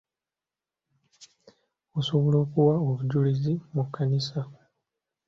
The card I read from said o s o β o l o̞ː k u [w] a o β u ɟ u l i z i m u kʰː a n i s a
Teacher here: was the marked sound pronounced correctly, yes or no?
yes